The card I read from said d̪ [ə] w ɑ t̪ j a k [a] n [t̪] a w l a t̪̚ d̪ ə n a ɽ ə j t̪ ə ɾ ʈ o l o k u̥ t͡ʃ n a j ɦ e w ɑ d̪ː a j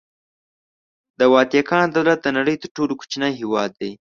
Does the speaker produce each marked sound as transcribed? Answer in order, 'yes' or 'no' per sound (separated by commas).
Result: yes, no, no